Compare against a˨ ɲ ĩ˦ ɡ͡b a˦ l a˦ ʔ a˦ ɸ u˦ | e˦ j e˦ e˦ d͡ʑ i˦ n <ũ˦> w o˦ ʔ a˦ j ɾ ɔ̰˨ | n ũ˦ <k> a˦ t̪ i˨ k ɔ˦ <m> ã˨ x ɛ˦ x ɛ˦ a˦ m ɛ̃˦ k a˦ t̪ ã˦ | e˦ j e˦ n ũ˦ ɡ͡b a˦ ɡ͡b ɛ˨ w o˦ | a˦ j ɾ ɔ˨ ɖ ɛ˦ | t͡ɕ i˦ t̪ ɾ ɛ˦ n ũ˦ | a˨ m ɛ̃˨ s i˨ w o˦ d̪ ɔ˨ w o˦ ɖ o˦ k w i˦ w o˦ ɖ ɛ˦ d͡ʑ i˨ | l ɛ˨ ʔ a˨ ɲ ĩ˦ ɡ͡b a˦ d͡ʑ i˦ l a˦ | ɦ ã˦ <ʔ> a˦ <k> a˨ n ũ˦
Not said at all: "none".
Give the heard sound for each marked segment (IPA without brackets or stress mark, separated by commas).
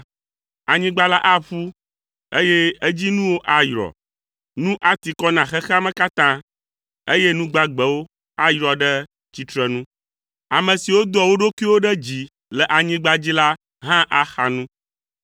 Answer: ũ˦, ʔ, n, ʔ, x